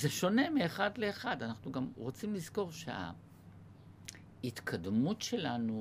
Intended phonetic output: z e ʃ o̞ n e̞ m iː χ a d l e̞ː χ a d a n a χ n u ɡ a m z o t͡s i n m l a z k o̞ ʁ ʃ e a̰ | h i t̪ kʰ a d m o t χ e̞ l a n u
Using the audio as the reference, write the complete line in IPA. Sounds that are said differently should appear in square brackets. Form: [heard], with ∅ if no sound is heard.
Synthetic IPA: z e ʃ o̞ n e̞ m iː χ a d l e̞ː χ a d a n a χ n u ɡ a m [ʁ] o t͡s i [∅] m l [i] z k o̞ ʁ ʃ e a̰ | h i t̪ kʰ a d m [u] t [ʃ] e̞ l a n u